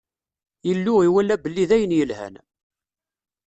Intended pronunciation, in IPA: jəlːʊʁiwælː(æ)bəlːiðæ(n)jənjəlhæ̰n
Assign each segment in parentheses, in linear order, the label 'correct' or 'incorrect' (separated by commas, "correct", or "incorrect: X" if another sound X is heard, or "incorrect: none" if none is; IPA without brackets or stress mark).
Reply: correct, incorrect: none